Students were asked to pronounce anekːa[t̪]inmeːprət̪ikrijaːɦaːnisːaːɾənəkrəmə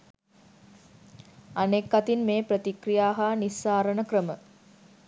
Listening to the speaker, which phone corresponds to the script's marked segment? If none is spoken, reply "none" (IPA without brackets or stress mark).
t̪